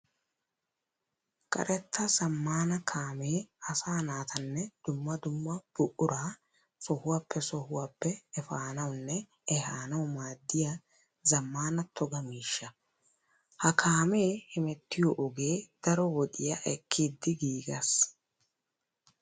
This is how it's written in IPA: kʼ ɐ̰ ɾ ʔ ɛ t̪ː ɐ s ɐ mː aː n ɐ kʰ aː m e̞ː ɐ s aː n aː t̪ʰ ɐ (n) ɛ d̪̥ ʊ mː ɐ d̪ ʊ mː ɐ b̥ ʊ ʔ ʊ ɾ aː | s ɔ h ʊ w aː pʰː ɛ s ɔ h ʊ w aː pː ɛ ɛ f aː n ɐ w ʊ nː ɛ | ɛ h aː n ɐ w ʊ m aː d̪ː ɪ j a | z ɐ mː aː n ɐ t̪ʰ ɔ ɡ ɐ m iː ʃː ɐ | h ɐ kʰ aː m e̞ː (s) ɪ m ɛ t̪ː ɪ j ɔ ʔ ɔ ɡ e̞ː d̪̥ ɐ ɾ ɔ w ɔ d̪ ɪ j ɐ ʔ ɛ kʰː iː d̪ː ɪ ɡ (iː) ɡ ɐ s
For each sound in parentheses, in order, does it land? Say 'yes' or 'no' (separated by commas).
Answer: no, no, yes